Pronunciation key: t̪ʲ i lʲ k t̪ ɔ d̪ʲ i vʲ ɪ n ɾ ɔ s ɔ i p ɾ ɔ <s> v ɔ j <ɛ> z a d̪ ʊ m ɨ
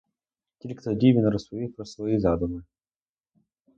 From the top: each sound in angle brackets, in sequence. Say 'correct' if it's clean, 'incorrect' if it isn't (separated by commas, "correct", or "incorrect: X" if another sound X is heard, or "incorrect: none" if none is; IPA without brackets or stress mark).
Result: correct, incorrect: i